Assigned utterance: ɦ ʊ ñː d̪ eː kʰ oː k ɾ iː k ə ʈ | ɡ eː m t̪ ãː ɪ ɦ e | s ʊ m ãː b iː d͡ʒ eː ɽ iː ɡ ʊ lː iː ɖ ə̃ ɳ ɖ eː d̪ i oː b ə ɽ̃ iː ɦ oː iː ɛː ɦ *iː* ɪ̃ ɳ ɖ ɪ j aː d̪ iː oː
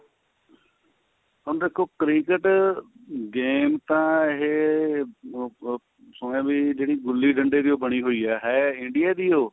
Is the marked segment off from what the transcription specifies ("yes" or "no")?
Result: yes